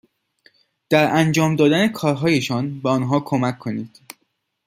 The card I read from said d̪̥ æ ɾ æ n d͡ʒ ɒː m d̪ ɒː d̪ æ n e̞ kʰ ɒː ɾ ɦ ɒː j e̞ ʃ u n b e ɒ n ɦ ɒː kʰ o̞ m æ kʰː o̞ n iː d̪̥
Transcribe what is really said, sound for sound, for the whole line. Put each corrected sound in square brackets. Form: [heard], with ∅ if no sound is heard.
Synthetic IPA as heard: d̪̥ æ ɾ æ n d͡ʒ ɒː m d̪ ɒː d̪ æ n e̞ kʰ ɒː ɾ ɦ ɒː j e̞ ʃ [ɒ] n b e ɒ n ɦ ɒː kʰ o̞ m æ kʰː o̞ n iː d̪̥